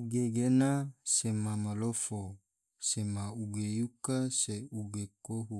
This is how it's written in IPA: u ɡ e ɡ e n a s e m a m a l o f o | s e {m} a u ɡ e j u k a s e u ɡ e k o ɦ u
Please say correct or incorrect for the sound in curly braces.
correct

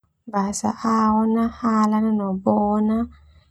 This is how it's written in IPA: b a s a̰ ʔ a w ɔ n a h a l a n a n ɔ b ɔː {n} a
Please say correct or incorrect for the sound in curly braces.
correct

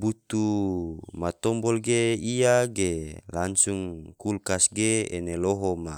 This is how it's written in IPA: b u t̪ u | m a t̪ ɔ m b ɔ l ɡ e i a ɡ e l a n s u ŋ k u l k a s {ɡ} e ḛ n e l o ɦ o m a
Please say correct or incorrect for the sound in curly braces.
correct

